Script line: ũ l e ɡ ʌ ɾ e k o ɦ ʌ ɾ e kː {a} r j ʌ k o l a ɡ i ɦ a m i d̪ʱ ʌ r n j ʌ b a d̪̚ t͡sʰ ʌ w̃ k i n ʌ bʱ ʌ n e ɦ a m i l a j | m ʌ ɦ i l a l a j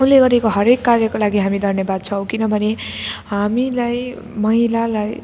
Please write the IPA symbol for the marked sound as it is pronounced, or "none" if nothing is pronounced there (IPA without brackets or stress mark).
a